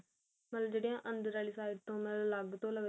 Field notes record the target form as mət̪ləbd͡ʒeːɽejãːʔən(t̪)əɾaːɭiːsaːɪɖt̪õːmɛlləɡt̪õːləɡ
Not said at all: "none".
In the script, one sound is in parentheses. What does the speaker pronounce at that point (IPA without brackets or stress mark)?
d̪